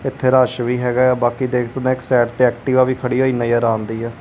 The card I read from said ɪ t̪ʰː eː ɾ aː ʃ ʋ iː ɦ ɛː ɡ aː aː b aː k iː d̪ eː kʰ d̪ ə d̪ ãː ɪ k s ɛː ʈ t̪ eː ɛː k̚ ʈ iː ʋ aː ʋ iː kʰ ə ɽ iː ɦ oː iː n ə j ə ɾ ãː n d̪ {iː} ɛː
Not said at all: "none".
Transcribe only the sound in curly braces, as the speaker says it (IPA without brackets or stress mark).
iː